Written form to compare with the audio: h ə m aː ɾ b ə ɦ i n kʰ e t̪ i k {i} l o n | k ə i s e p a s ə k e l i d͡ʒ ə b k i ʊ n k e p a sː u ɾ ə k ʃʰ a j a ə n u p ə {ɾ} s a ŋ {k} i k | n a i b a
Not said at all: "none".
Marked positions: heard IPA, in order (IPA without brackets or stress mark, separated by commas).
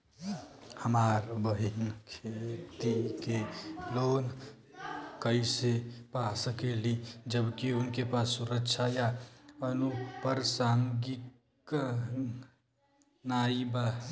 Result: e, ɾ, ɡ